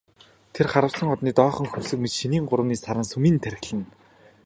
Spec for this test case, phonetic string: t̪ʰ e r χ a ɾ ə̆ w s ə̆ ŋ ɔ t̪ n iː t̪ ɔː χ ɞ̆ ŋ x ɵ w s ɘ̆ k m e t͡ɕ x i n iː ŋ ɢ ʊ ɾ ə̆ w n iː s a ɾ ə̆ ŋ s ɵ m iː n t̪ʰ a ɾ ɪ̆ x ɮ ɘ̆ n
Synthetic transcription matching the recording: t̪ʰ e r χ a ɾ ə̆ w s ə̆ ŋ ɔ t̪ n iː t̪ ɔː χ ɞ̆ ŋ x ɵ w s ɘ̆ k m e t͡ɕ ʃ i n iː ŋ ɢ ʊ ɾ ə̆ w n iː s a ɾ ə̆ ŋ s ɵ m iː n t̪ʰ æ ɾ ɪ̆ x ɮ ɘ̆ n